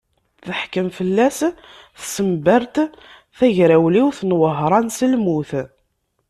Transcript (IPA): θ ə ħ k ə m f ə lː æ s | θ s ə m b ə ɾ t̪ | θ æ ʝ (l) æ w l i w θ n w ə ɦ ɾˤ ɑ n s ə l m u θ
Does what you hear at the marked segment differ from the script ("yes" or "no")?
yes